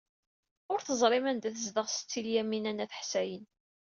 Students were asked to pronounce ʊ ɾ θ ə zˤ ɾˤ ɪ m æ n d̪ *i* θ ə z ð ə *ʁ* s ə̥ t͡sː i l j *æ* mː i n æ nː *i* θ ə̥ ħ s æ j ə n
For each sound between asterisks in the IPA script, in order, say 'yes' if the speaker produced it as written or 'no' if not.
no, yes, yes, no

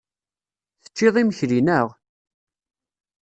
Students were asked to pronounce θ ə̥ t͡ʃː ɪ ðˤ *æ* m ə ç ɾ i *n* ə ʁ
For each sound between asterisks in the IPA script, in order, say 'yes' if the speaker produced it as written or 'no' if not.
no, yes

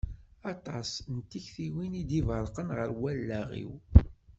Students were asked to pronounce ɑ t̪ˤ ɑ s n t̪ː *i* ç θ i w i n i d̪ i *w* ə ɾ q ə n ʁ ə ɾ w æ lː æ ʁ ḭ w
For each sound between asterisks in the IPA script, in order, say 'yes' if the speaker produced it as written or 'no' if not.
yes, no

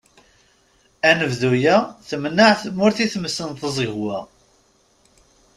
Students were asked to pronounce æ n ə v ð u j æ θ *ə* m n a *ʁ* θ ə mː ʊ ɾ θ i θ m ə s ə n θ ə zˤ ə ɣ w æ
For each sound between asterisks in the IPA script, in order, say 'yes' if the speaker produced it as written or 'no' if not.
yes, no

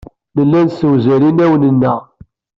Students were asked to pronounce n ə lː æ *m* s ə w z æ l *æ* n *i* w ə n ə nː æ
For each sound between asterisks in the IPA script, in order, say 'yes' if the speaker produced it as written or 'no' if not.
no, no, no

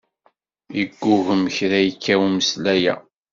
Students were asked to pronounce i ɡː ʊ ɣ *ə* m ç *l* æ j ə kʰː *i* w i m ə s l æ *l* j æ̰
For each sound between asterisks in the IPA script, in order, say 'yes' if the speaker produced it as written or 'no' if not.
yes, no, no, no

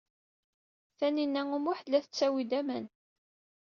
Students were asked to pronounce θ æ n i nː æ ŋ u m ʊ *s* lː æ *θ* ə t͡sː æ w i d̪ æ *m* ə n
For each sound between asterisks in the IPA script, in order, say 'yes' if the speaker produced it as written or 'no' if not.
no, yes, yes

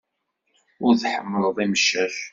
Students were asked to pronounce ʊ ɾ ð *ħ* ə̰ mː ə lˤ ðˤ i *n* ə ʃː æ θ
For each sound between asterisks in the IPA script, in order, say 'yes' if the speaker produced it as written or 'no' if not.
yes, no

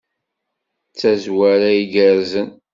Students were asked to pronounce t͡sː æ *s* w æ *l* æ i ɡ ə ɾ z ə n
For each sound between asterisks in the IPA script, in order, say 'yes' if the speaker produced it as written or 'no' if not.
no, no

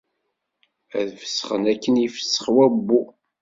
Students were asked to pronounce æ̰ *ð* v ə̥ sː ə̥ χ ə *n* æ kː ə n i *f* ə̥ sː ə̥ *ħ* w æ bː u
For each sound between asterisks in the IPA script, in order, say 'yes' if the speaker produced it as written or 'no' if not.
yes, yes, yes, no

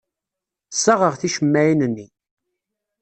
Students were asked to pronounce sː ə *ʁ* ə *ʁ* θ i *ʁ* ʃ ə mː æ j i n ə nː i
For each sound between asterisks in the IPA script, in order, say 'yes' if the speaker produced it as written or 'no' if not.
yes, yes, no

